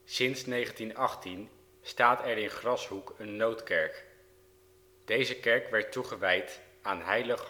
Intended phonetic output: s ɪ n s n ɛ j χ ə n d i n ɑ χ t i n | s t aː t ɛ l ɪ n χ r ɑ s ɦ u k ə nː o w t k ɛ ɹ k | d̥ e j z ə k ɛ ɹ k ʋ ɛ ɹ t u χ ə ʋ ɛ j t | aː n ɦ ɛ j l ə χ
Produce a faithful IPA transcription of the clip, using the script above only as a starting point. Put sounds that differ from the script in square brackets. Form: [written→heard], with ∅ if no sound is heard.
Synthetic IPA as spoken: s ɪ n s n [ɛ→e] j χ ə n [d→t] i n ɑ χ t i n | s t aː t ɛ [l→ɹ] ɪ n χ r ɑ s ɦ u k ə nː o w t k ɛ ɹ k | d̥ e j z ə k ɛ ɹ k ʋ ɛ ɹ t u χ ə ʋ ɛ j t | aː n ɦ ɛ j l ə χ

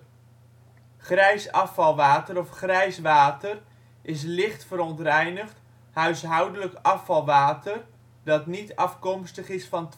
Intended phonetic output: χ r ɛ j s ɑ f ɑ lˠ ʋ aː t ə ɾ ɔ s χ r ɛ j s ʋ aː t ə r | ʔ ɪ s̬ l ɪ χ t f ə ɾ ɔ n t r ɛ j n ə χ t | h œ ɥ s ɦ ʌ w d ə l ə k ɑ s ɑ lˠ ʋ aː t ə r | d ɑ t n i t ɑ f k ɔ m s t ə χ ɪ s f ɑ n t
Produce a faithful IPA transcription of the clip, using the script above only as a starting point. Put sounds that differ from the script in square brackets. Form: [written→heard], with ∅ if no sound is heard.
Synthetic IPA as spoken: χ r ɛ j s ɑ f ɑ lˠ ʋ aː t ə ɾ ɔ [s→f] χ r ɛ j s ʋ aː t ə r | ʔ ɪ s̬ l ɪ χ t f ə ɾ ɔ n t r ɛ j n ə χ t | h œ ɥ s ɦ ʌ w d ə l ə k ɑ [s→f] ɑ lˠ ʋ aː t ə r | d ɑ t n i t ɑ f k ɔ m s t ə χ ɪ s f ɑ n t

